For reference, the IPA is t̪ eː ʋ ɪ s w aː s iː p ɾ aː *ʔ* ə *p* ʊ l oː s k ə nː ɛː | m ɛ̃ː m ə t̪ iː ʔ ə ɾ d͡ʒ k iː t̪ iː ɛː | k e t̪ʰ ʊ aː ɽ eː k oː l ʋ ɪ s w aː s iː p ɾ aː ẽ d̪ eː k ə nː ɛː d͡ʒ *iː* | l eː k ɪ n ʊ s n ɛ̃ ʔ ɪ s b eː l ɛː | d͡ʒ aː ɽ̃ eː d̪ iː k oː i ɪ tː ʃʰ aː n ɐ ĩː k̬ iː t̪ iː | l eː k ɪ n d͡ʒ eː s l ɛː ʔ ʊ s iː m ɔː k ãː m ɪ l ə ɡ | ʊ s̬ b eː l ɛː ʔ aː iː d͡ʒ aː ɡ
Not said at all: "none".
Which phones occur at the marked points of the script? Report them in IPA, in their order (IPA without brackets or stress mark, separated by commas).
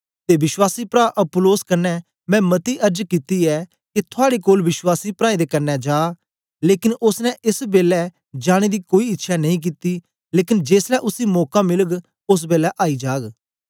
ʔ, p, aː